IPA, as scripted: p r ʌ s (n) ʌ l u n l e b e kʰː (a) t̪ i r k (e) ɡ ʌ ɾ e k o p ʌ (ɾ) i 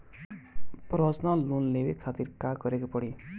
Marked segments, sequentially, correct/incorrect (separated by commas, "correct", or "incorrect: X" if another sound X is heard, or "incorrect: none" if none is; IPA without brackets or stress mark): correct, correct, incorrect: a, incorrect: ɽ